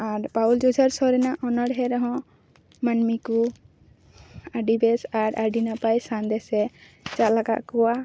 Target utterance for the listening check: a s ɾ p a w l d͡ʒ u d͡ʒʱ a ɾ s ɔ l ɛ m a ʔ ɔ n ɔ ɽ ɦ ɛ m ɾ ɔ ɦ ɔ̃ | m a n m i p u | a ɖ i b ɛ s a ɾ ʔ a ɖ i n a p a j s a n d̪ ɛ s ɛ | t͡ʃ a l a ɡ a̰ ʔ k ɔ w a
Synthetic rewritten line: a ɾ p a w l d͡ʒ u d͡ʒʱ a ɾ s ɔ ɾ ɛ n a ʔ ɔ n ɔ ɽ ɦ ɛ ɾ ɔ ɦ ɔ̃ | m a n m i k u | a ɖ i b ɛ s a ɾ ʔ a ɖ i n a p a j s a n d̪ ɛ s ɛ | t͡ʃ a l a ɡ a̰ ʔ k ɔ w a